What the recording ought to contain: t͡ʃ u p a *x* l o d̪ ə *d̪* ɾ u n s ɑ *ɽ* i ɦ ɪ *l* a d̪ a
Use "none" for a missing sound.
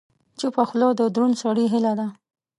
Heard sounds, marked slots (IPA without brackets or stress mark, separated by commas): x, d̪, ɽ, l